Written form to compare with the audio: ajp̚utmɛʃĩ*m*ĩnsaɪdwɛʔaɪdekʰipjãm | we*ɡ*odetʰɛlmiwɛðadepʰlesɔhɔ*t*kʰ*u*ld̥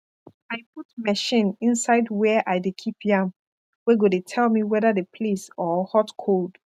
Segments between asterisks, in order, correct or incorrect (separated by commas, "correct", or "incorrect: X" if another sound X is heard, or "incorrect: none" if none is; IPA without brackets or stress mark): incorrect: n, correct, correct, incorrect: o